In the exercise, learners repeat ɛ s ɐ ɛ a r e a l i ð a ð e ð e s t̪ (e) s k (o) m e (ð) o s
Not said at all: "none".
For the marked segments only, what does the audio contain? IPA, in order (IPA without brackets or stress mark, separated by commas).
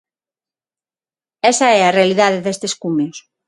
e, u, none